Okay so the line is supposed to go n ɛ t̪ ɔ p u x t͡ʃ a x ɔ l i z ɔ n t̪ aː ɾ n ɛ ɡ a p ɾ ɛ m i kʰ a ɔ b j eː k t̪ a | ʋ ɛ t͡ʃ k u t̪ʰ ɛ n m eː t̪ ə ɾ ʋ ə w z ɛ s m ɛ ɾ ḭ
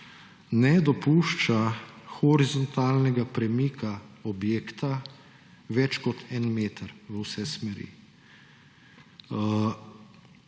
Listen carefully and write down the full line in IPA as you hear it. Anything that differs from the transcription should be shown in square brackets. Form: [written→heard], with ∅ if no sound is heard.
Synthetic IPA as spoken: n ɛ [t̪→d̪] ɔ p u [x→ʃ] t͡ʃ a x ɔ [l→ɾ] i z ɔ n t̪ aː [ɾ→l] n ɛ ɡ a p ɾ ɛ m i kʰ a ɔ b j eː k t̪ a | ʋ ɛ t͡ʃ k [u→ɔ] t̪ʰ ɛ n m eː t̪ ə ɾ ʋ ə w [z→s] ɛ s m ɛ ɾ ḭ